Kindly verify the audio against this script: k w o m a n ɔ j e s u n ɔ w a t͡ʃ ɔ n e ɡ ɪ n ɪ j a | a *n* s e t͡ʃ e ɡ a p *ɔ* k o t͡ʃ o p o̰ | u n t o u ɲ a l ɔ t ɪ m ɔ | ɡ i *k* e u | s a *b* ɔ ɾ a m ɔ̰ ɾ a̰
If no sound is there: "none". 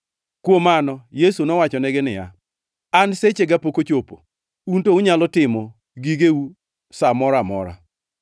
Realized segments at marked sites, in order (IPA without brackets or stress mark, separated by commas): n, o, ɡ, m